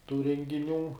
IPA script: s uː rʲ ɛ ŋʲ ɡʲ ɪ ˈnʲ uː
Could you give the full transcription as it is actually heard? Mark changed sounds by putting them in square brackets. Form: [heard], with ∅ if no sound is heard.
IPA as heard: [t] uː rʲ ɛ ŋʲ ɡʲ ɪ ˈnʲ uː